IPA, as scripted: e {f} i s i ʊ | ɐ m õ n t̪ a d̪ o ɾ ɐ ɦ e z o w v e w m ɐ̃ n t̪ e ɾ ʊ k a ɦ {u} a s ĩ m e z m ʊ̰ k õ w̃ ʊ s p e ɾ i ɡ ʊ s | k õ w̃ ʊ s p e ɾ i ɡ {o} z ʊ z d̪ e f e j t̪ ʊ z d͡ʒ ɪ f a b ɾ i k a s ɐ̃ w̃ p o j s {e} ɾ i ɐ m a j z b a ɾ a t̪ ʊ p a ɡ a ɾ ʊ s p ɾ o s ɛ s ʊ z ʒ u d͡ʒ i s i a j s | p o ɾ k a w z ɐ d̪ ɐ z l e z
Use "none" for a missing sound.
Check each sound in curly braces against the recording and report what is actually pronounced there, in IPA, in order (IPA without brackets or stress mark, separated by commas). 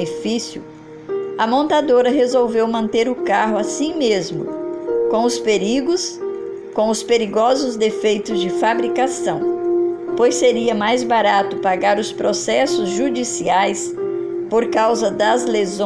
f, ʊ, ɔ, e